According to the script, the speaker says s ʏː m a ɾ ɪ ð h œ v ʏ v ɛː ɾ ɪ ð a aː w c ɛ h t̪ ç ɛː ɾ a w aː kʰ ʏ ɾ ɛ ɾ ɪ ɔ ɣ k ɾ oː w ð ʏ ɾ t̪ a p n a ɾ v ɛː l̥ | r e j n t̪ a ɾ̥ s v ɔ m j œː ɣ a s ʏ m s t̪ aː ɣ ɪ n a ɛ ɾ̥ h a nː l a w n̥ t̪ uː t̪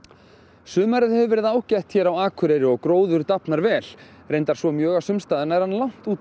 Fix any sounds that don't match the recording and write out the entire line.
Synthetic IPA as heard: s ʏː m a ɾ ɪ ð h ɛ v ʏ v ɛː ɾ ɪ ð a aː w c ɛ h t̪ ç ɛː ɾ a w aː kʰ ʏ ɾ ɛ ɾ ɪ ɔ ɣ k ɾ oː w ð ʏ ɾ t̪ a p n a ɾ v ɛː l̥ | r e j n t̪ a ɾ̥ s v ɔ m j œː ɣ a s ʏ m s t̪ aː ð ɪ n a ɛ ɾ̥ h a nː l a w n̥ t̪ uː t̪